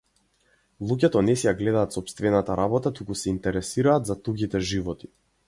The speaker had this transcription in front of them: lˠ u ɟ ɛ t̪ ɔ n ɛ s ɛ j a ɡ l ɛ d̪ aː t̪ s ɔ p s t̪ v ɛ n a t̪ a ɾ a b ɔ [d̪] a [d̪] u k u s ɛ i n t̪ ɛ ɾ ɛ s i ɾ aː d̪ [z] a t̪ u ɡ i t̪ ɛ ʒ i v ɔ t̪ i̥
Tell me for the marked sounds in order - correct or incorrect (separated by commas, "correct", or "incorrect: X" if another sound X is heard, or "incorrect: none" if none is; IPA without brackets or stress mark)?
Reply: incorrect: t̪, incorrect: t̪, correct